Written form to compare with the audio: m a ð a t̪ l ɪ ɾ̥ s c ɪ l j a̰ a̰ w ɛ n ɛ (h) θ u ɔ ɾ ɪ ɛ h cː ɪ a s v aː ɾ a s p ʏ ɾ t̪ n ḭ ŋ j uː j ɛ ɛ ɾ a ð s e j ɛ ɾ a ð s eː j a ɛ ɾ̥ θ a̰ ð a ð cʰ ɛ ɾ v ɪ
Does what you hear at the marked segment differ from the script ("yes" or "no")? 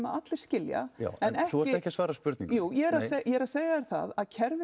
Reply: no